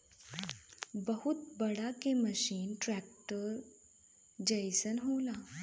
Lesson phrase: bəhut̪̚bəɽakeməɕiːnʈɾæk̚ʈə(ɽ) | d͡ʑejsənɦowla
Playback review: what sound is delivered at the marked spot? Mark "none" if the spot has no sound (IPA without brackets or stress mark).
ɾ